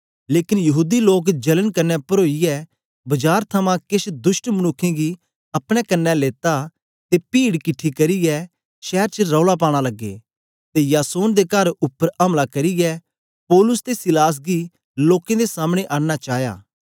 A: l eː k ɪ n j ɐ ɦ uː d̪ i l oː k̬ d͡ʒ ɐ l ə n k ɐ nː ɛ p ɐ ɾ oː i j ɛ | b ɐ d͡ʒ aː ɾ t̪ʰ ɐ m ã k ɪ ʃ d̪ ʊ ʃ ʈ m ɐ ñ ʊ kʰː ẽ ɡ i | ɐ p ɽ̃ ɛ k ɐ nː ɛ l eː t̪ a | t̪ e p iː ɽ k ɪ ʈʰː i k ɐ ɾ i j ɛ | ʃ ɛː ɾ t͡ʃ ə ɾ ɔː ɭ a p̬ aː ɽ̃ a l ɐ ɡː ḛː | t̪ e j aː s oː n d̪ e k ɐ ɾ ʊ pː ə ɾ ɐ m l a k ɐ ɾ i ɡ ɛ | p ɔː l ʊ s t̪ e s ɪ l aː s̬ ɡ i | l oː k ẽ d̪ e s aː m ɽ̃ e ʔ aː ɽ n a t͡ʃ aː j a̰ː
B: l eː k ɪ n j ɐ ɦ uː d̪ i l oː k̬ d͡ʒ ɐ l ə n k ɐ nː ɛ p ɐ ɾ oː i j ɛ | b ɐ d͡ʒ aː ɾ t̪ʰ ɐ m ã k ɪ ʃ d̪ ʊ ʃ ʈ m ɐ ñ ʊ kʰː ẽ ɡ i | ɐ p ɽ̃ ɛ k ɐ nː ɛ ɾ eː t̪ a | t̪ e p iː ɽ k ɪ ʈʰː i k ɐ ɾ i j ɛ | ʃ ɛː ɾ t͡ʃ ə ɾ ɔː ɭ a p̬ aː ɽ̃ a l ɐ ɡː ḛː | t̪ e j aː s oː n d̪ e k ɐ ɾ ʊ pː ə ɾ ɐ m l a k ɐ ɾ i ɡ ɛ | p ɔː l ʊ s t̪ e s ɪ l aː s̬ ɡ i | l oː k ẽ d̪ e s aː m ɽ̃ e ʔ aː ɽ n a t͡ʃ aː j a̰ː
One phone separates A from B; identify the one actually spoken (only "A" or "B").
A